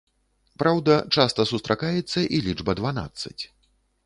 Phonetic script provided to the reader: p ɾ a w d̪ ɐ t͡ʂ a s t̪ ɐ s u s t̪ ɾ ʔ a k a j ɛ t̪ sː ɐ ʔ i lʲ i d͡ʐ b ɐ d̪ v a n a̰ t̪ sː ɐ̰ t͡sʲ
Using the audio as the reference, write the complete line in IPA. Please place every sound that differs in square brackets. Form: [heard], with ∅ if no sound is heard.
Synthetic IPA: p ɾ a w d̪ ɐ t͡ʂ a s t̪ ɐ s u s t̪ ɾ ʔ a k a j ɛ t̪ sː ɐ ʔ i lʲ i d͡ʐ b ɐ d̪ v a n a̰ t̪ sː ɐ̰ t͡sʲ